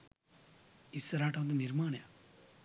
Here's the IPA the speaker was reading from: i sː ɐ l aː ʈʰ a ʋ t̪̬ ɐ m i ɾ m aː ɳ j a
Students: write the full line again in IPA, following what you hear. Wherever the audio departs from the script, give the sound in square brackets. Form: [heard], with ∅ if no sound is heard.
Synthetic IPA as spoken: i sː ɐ [ɾ] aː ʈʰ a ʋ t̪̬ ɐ [n] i ɾ m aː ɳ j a